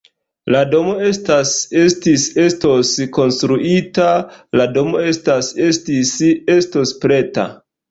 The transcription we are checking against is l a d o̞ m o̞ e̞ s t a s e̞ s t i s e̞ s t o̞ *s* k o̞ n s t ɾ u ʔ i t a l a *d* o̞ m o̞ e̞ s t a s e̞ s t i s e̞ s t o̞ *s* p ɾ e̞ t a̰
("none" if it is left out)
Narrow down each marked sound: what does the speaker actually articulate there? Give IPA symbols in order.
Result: s, d, s

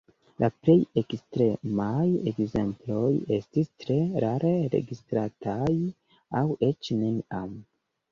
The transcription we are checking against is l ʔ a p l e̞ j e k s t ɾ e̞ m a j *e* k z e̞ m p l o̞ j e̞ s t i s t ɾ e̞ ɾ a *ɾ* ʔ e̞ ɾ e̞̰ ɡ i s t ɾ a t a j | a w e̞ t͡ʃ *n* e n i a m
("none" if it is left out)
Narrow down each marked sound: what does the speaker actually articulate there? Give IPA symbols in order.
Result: e, ɾ, n

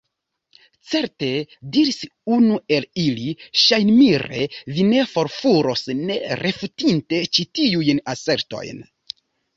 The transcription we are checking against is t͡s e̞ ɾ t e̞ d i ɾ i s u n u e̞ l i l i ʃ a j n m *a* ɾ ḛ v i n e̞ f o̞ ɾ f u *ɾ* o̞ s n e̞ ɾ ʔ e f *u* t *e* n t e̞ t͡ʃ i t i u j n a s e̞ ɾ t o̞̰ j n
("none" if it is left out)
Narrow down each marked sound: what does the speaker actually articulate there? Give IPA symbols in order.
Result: i, ɾ, u, i

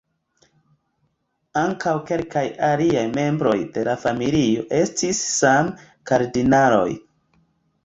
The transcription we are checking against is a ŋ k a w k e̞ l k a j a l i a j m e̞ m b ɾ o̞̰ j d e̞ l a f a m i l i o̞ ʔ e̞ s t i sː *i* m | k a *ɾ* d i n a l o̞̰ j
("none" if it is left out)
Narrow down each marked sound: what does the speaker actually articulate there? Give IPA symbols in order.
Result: a, ɾ

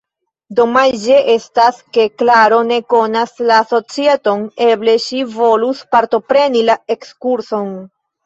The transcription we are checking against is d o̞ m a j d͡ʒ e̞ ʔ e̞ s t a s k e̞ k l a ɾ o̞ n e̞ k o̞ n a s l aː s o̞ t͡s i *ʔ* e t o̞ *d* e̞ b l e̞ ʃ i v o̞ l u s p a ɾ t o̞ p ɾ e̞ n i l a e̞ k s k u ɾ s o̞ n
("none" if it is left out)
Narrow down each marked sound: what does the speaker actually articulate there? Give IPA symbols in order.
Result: none, n

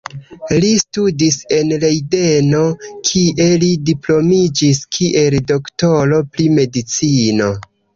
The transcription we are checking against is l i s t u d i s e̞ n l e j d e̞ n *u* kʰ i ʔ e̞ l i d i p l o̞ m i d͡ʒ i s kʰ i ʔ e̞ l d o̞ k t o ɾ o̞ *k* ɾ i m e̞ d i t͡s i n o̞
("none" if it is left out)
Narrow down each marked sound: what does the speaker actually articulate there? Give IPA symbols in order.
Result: o, p

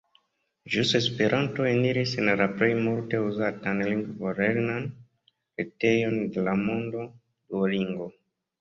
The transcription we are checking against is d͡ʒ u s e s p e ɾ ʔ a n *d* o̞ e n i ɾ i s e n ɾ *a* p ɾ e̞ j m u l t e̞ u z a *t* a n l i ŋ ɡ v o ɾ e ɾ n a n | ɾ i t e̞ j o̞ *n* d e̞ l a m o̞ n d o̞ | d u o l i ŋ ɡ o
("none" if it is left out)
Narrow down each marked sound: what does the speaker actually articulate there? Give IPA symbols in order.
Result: t, a, t, n

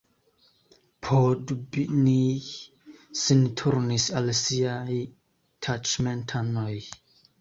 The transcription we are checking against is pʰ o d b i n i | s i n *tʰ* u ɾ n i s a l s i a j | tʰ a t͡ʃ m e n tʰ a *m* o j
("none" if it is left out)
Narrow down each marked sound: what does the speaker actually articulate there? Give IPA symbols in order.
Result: tʰ, n

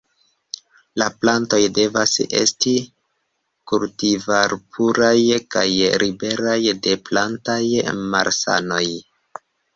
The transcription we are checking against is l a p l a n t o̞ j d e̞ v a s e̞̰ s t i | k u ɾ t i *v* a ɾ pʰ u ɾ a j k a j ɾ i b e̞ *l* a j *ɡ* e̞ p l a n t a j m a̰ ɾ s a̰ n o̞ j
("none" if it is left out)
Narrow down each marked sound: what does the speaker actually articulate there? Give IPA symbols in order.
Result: v, ɾ, d

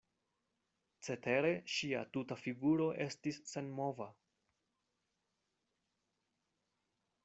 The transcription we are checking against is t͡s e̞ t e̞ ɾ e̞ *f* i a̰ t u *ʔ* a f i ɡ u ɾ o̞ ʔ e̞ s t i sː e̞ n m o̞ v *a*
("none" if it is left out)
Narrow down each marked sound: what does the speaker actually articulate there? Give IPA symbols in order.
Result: ʃ, t, a

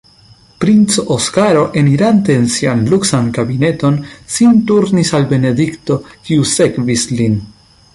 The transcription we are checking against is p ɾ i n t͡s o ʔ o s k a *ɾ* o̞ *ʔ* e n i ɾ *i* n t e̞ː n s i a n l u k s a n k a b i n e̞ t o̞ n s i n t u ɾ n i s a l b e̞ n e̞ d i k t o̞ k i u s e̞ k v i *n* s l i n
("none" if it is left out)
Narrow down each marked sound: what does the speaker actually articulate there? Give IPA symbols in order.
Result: ɾ, ʔ, a, none

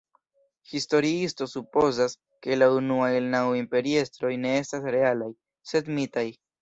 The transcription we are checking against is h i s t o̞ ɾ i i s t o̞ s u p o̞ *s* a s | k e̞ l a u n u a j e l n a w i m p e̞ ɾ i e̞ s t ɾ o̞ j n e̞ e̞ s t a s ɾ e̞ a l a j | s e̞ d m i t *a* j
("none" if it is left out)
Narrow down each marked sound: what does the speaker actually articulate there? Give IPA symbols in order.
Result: z, a

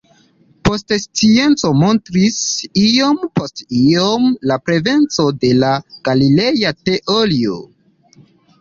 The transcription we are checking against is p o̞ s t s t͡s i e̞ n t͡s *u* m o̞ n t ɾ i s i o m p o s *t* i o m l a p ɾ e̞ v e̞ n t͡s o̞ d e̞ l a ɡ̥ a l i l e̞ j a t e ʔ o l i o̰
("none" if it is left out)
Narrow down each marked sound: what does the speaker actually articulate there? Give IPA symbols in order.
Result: o, t

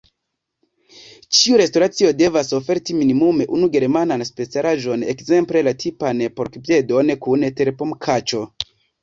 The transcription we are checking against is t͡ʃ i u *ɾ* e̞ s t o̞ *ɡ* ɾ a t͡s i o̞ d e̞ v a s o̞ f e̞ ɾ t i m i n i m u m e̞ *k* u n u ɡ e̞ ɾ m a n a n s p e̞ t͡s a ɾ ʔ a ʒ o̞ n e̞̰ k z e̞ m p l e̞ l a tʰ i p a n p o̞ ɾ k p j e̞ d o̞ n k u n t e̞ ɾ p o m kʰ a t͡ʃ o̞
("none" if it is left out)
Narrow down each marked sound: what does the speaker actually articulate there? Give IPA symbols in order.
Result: ɾ, none, ʔ

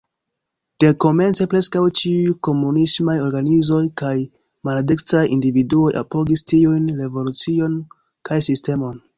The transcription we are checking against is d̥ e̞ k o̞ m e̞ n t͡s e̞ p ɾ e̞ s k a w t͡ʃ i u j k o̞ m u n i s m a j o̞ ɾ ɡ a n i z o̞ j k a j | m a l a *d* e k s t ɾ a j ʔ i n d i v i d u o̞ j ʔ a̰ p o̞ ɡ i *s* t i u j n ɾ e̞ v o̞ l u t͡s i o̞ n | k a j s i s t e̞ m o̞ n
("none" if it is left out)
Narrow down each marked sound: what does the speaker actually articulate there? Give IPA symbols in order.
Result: d, s

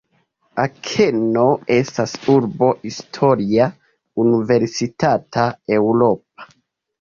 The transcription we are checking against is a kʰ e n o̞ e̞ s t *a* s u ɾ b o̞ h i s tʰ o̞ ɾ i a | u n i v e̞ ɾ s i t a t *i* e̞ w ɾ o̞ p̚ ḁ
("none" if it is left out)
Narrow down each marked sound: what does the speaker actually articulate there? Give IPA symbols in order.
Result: a, a

